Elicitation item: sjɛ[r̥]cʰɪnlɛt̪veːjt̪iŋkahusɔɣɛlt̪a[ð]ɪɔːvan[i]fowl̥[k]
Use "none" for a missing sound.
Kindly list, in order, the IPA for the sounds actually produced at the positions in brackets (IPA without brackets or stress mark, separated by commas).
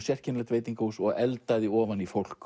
r̥, ð, i, k